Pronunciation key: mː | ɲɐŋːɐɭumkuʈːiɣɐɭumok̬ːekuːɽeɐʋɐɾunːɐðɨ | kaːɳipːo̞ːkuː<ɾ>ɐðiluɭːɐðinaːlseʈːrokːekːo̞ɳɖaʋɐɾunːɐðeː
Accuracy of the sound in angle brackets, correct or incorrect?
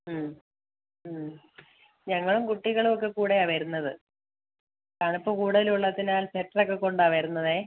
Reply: incorrect